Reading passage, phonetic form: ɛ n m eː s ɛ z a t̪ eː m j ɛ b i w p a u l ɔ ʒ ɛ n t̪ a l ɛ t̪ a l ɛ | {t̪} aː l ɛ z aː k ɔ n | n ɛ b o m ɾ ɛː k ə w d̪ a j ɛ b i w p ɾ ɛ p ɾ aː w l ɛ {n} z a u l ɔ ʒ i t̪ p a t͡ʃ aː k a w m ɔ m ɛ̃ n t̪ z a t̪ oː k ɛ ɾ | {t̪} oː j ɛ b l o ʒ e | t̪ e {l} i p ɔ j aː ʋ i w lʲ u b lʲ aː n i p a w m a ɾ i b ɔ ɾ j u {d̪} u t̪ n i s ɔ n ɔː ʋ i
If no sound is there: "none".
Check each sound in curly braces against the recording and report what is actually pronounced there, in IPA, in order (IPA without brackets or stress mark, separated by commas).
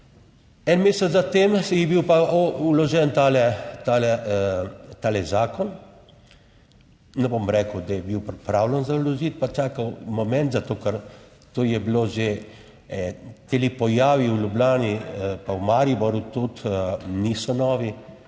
t̪, n, t̪, l, t̪